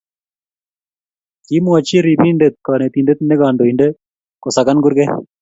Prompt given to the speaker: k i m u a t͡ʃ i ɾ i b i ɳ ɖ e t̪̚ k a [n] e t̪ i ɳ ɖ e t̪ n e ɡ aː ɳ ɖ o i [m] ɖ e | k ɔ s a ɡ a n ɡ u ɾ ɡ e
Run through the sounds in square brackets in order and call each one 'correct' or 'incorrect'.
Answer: correct, incorrect: ɳ

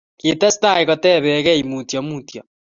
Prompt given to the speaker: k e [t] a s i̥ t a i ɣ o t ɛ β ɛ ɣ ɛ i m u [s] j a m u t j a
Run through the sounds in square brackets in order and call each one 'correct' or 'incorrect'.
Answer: correct, incorrect: t

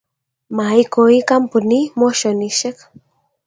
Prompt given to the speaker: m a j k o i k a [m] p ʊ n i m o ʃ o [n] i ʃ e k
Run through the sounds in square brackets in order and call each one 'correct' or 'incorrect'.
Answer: correct, correct

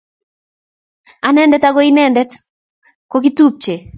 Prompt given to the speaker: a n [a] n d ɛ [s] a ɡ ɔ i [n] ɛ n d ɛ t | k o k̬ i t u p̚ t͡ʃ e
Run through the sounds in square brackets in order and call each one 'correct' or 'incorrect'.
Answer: incorrect: ɛ, incorrect: t, correct

